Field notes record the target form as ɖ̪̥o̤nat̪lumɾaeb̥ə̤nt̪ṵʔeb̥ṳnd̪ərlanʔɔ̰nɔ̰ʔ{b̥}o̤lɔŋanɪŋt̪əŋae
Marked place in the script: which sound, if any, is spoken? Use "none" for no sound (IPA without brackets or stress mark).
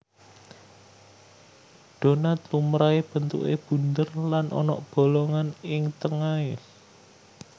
b̥